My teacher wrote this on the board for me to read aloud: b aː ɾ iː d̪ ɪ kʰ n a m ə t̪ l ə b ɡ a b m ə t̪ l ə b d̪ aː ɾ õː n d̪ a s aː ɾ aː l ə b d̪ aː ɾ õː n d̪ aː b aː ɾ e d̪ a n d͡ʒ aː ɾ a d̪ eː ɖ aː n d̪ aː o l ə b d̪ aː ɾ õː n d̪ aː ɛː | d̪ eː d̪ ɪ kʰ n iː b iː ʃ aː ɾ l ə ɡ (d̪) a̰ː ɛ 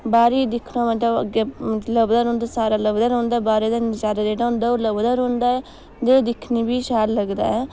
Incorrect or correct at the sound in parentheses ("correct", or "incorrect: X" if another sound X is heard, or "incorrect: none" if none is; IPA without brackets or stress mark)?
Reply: correct